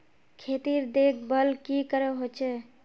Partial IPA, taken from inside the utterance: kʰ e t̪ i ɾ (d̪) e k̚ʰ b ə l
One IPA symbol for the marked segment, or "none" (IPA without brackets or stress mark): d̪